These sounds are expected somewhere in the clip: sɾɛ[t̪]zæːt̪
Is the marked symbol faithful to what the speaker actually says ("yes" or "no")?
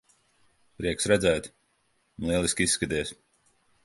no